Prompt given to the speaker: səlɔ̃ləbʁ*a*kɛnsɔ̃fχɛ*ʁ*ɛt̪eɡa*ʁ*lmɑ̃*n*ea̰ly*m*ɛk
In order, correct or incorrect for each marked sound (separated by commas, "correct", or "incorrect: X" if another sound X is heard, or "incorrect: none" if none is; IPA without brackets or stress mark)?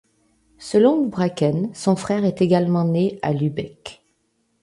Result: correct, correct, incorrect: none, correct, incorrect: b